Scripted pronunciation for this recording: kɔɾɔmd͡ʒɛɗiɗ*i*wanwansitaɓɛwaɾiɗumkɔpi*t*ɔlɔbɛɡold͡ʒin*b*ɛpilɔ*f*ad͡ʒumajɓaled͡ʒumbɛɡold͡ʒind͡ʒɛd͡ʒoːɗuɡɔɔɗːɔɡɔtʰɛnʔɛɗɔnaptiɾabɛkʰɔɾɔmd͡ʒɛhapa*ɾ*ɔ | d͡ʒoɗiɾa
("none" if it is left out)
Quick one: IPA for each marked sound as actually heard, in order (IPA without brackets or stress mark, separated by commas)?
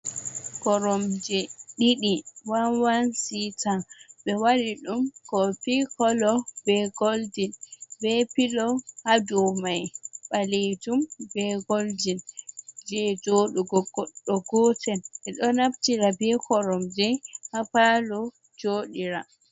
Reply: i, k, b, h, l